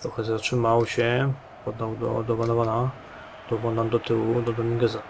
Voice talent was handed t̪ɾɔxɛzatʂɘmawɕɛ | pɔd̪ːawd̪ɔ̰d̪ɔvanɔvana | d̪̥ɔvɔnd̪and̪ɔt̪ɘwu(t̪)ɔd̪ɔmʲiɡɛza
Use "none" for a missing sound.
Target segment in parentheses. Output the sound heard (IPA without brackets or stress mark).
d̪